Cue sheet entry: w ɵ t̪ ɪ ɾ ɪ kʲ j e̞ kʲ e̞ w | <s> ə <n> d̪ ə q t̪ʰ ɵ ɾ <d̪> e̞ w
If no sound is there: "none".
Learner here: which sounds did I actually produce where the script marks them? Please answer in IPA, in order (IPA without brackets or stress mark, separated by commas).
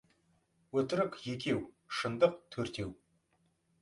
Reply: ʃ, n, t̪